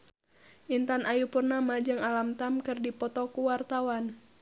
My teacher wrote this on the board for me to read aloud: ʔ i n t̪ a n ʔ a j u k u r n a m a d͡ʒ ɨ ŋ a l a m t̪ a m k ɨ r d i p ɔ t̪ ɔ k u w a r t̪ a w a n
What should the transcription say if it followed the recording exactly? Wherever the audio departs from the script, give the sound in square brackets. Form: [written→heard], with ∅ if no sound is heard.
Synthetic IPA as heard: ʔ i n t̪ a n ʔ a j u [k→p] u r n a m a d͡ʒ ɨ ŋ a l a m t̪ a m k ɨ r d i p ɔ t̪ ɔ k u w a r t̪ a w a n